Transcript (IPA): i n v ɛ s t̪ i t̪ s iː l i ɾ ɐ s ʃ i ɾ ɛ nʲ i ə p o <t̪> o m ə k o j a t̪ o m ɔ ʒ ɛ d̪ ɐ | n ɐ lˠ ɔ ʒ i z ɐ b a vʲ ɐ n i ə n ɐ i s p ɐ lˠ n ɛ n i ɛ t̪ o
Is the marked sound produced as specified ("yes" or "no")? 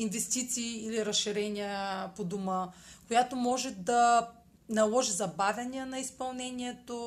no